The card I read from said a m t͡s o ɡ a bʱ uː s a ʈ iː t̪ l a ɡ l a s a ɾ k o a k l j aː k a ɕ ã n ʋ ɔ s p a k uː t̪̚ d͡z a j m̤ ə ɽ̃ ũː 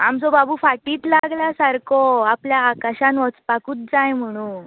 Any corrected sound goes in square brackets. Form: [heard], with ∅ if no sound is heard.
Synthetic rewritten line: a m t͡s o [b] a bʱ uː [f] a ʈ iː t̪ l a ɡ l a s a ɾ k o a [p] l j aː k a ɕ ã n ʋ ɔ [t͡s] p a k uː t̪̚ d͡z a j m̤ ə ɽ̃ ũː

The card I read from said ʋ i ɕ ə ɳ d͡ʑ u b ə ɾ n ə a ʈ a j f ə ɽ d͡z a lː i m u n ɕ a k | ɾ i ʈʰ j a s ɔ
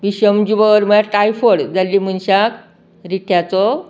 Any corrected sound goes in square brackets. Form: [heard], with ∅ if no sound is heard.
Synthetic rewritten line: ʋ i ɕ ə [m] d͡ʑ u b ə ɾ [m] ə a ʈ a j f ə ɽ d͡z a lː i m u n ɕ a k | ɾ i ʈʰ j a [t͡s] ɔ

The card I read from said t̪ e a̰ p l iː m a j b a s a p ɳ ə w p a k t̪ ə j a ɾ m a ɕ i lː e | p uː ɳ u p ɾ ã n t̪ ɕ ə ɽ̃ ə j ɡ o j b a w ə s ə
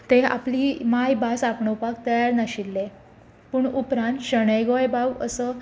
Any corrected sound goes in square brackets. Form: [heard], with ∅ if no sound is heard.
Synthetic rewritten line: t̪ e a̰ p l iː m a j b a s a p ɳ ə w p a k t̪ ə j a ɾ [n] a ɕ i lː e | p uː ɳ u p ɾ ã n t̪ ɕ ə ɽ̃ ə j ɡ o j b a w ə s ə

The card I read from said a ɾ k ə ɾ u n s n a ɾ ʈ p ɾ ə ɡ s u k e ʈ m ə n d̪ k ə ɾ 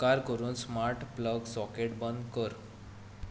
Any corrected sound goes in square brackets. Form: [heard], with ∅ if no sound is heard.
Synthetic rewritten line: a ɾ k ə ɾ [uː] n s [m] a ɾ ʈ p [l] ə ɡ s [ɔ] k e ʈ [b] ə n d̪ k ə ɾ

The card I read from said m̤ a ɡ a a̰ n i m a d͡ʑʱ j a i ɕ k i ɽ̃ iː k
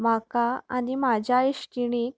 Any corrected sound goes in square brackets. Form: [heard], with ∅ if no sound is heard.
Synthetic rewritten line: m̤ a [k] a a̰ n i m a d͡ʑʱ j a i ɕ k i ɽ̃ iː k

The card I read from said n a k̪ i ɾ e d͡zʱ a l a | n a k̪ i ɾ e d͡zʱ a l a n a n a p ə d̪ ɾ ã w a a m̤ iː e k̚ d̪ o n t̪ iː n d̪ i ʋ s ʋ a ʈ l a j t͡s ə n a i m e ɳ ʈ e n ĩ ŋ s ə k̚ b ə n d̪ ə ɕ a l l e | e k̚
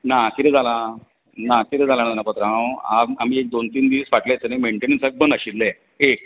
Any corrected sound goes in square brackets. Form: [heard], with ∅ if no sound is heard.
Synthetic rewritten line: n a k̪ i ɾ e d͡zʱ a l a | n a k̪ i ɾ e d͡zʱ a l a n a n a p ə [t̪] ɾ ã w a a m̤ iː e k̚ d̪ o n t̪ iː n d̪ i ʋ s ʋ a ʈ l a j t͡s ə n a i m e ɳ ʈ e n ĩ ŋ s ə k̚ b ə n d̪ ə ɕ [i] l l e | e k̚

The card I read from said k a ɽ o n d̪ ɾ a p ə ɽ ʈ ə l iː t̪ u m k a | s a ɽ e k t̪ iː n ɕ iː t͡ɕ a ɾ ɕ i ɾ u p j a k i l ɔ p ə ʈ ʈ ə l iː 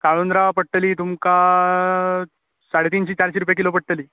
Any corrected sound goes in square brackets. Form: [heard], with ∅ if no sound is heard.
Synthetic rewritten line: k a [ɭ] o n d̪ ɾ a p ə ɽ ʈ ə l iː t̪ u m k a | s a ɽ e [∅] t̪ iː n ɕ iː t͡ɕ a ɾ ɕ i ɾ u p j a k i l [o] p ə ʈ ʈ ə l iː

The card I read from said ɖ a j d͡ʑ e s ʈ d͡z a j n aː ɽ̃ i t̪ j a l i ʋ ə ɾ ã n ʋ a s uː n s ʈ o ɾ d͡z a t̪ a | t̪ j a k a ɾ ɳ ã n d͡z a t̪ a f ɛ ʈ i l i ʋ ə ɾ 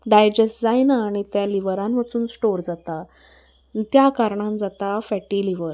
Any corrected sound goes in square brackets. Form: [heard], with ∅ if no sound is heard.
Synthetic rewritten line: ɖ a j d͡ʑ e s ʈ d͡z a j n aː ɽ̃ i t̪ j a l i ʋ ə ɾ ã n ʋ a [t͡s] uː n s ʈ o ɾ d͡z a t̪ a | t̪ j a k a ɾ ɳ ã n d͡z a t̪ a f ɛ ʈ i l i ʋ ə ɾ

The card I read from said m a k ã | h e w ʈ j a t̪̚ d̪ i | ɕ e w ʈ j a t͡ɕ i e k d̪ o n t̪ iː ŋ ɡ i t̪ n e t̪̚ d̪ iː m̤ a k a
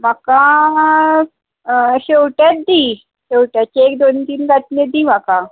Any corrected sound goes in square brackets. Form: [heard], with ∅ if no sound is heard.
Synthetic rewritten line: m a k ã | [ɕ] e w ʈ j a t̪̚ d̪ i | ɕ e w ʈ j a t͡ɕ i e k d̪ o n t̪ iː [n] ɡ [a] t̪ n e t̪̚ d̪ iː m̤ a k a

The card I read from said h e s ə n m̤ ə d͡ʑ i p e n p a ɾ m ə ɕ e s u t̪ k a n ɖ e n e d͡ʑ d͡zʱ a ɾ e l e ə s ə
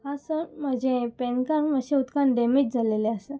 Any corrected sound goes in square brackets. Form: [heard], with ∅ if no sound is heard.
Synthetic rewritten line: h [a] s ə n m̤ ə d͡ʑ [e] p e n [k] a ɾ m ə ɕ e [∅] u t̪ k a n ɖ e [m] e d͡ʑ d͡zʱ a [l] e l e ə s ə

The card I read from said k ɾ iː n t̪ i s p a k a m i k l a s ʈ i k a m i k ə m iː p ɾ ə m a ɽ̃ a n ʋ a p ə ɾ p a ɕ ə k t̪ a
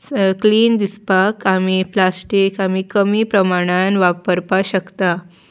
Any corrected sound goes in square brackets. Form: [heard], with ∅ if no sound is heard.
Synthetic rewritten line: k [l] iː n [d̪] i s p a k a m i [p] l a s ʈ i k a m i k ə m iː p ɾ ə m a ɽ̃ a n ʋ a p ə ɾ p a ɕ ə k t̪ a

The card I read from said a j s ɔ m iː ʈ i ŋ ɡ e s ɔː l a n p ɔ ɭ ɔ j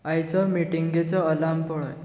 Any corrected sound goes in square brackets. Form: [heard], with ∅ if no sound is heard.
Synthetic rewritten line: a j [t͡s] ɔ m [i] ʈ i ŋ ɡ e [t͡s] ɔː l a [m] p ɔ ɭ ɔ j

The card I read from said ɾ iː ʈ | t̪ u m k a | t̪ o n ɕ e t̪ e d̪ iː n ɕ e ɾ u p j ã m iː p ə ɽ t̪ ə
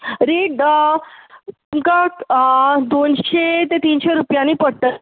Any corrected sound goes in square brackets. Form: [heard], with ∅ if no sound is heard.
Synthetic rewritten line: ɾ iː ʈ | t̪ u m k a | [d̪] o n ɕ e t̪ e [t̪] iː n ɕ e ɾ u p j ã [n] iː p ə ɽ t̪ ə

